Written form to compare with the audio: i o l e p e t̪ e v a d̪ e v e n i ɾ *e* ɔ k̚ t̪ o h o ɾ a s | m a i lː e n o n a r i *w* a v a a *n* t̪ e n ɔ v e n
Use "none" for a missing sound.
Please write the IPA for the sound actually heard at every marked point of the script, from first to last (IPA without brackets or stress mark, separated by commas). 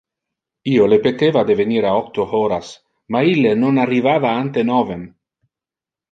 a, v, n